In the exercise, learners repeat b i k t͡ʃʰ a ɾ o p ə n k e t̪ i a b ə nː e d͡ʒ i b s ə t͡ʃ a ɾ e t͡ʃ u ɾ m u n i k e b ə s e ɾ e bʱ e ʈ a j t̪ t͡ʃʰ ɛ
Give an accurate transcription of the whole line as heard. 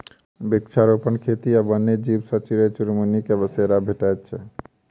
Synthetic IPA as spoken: b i k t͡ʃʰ a ɾ o p ə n kʰ e t̪ i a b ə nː e d͡ʒ i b s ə t͡ʃ i ɾ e t͡ʃ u ɾ m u n i k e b ə s e ɾ a bʱ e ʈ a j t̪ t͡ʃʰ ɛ